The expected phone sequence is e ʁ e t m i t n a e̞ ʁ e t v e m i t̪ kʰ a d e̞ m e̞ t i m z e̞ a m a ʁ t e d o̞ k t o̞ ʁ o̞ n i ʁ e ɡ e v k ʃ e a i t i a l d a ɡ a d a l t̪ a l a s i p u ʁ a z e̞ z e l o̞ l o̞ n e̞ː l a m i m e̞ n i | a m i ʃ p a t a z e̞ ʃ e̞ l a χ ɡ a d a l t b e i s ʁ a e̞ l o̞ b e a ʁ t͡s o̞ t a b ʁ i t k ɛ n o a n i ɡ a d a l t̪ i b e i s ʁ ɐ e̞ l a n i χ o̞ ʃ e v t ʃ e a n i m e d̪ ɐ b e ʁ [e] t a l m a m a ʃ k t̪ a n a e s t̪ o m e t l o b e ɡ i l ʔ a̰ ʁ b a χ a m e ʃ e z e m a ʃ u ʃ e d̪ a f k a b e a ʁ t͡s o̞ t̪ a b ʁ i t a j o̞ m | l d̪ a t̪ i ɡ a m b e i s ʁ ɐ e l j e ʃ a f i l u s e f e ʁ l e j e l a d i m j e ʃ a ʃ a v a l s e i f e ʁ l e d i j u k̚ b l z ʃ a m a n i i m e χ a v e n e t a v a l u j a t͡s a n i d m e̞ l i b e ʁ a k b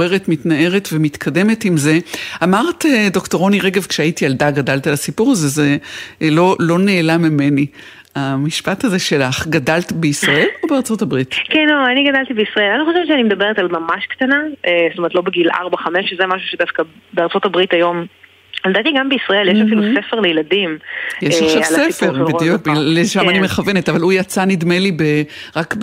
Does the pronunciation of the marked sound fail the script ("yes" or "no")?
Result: no